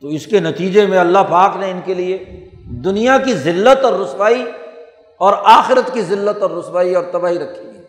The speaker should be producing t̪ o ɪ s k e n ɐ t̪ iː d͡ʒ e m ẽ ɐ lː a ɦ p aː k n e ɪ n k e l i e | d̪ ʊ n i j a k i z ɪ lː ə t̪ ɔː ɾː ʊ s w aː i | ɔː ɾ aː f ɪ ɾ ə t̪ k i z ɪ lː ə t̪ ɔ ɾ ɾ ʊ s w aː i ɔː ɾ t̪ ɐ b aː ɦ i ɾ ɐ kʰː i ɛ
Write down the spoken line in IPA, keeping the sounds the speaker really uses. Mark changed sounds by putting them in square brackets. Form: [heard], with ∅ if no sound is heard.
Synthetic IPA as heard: t̪ o ɪ s k e n ɐ t̪ iː d͡ʒ e m ẽ ɐ lː a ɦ p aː k n e ɪ n k e l i e | d̪ ʊ n i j a k i z ɪ lː ə t̪ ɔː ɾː ʊ s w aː i | ɔː ɾ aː [x] ɪ ɾ ə t̪ k i z ɪ lː ə t̪ ɔ ɾ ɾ ʊ s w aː i ɔː ɾ t̪ ɐ b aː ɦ i ɾ ɐ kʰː i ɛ